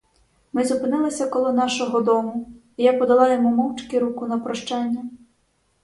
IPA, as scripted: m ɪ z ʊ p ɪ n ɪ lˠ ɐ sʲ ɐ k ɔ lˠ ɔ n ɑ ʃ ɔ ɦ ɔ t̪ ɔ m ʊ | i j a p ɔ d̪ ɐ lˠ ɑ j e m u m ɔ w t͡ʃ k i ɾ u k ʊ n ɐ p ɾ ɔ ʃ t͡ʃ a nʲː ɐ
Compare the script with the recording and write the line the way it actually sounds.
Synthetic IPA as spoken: m ɪ z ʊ p ɪ n ɪ lˠ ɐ sʲ ɐ k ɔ lˠ ɔ n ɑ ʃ ɔ ɦ ɔ d̪ ɔ m ʊ | i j a p ɔ d̪ ɐ lˠ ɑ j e m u m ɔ w t͡ʃ k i ɾ u k ʊ n ɐ p ɾ ɔ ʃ t͡ʃ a nʲː ɐ